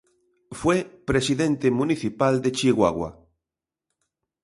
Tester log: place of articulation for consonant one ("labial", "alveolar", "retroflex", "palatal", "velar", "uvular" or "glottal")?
labial